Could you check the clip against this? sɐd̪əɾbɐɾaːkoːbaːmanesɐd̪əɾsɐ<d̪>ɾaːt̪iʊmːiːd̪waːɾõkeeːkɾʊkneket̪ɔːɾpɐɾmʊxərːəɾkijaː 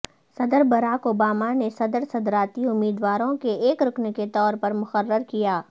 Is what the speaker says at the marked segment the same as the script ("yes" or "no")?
yes